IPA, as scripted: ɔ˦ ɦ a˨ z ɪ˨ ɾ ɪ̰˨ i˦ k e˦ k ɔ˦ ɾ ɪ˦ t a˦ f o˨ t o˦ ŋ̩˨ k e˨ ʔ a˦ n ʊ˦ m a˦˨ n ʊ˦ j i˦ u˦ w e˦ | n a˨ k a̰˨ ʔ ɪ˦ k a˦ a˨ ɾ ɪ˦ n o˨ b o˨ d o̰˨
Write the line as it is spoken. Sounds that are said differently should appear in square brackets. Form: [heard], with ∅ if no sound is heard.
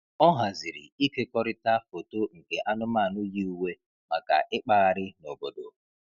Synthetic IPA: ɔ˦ ɦ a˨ z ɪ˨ ɾ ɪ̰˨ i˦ k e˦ k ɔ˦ ɾ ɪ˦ t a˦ f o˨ t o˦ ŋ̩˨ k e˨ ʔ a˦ n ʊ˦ m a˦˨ n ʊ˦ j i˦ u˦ w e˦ | [m] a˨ k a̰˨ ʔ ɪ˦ [k͡p] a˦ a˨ ɾ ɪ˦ n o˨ b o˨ d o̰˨